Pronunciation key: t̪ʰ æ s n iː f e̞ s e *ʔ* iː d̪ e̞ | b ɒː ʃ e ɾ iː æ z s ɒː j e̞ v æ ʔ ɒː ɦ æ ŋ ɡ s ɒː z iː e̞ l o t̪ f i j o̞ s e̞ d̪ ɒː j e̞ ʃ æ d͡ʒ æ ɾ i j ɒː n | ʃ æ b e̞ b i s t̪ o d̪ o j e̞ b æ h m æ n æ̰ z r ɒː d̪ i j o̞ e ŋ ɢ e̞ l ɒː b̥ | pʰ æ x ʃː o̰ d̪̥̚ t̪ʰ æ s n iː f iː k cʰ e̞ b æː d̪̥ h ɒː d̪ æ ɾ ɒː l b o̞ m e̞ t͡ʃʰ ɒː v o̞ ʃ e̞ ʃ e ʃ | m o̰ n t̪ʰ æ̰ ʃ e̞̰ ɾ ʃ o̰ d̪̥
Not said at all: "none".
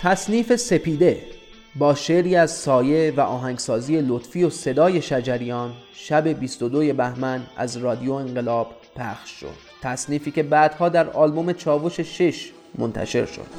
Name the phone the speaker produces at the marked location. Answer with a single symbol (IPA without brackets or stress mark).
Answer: p